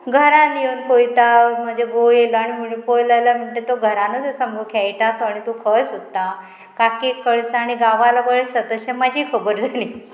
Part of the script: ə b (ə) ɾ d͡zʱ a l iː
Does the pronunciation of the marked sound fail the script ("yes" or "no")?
no